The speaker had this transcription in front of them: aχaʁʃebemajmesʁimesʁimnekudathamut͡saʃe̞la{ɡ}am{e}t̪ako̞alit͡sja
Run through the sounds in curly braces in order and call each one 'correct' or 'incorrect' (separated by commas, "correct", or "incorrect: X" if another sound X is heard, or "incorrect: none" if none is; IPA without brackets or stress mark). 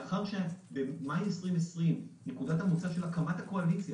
incorrect: k, incorrect: a